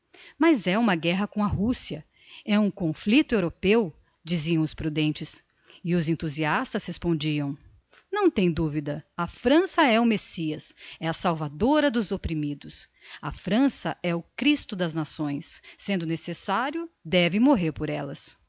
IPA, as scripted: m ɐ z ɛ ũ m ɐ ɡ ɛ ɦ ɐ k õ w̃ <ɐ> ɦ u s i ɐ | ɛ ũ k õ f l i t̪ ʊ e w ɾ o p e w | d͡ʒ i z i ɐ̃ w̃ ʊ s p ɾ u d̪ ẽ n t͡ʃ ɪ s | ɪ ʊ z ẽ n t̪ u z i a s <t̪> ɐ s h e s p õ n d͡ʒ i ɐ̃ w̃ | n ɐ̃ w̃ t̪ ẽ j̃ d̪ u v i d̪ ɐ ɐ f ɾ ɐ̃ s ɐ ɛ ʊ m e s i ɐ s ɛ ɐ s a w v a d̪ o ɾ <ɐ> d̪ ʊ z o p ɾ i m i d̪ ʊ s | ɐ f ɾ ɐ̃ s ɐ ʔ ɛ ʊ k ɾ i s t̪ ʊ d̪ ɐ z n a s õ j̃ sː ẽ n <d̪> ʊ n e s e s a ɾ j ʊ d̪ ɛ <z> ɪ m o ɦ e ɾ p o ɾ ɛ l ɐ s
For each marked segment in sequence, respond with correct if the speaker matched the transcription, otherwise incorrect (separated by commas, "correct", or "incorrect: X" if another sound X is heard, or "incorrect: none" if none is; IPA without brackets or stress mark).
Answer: correct, correct, correct, correct, incorrect: v